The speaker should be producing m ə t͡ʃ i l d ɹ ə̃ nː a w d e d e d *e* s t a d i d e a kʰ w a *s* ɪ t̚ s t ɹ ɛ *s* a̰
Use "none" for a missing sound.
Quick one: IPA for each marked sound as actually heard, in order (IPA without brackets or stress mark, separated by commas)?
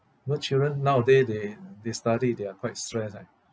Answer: e, none, s